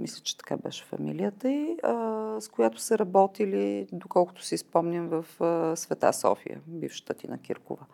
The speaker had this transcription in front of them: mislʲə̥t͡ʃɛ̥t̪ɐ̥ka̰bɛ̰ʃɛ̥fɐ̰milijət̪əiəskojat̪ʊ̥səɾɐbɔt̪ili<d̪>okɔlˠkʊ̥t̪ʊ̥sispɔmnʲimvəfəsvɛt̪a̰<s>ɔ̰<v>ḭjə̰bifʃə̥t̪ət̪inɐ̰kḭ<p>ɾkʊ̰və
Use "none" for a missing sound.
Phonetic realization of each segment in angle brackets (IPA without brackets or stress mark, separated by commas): d̪, s, f, none